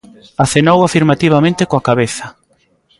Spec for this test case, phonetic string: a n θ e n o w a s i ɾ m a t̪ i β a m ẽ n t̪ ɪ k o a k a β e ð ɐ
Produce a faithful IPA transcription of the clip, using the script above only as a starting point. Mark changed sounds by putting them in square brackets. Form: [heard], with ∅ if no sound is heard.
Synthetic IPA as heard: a [∅] θ e n o w a [f] i ɾ m a t̪ i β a m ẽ n t̪ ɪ k o a k a β e [θ] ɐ